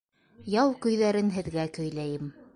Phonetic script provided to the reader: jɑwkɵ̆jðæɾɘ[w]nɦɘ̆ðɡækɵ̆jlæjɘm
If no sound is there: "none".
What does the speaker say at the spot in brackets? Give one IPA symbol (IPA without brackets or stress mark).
none